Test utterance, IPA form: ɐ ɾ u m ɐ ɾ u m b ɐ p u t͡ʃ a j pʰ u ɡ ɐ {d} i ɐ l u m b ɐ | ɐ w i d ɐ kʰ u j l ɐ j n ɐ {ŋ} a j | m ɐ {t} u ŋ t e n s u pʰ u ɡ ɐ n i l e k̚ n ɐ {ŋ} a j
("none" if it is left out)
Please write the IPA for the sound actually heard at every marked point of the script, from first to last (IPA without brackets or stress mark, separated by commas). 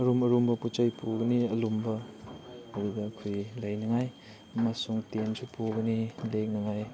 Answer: n, ŋ, s, ŋ